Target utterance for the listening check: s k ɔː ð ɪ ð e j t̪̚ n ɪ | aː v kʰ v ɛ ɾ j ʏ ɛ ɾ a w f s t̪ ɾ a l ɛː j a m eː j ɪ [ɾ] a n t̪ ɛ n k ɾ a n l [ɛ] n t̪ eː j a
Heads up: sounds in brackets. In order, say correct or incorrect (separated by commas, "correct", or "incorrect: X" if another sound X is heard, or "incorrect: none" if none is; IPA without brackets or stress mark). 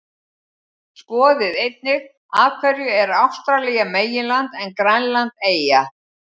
incorrect: l, incorrect: a